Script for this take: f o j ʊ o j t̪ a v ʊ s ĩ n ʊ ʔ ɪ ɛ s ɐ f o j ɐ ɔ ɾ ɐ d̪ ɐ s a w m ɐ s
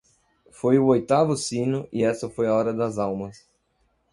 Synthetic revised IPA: f o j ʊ o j t̪ a v ʊ s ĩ n ʊ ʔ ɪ ɛ s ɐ f o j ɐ ɔ ɾ ɐ d̪ ɐ z a w m ɐ s